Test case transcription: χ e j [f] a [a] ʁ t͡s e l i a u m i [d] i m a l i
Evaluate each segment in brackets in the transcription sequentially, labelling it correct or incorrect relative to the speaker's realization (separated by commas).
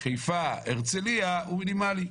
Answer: correct, incorrect, incorrect